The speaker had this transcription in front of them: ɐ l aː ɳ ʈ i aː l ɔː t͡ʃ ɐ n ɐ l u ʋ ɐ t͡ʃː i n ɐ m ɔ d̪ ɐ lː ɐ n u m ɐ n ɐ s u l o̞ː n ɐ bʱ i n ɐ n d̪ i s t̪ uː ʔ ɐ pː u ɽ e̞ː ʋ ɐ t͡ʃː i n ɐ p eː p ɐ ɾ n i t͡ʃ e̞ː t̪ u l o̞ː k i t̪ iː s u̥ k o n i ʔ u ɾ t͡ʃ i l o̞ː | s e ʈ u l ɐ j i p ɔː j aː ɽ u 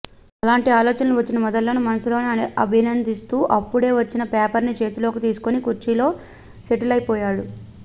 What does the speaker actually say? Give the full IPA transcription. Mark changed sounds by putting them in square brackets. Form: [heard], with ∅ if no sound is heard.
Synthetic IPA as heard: ɐ l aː ɳ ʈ i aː l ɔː t͡ʃ ɐ n ɐ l u ʋ ɐ t͡ʃː i n ɐ m ɔ d̪ ɐ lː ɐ n u m ɐ n ɐ s u l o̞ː n ɐ bʱ i n ɐ n d̪ i s t̪ uː ʔ ɐ pː u ɽ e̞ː ʋ ɐ t͡ʃː i n ɐ p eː p ɐ ɾ n i t͡ʃ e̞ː t̪ u l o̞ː k i t̪ iː s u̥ k o n i [k] u ɾ t͡ʃ i l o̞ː | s e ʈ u l ɐ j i p ɔː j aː ɽ u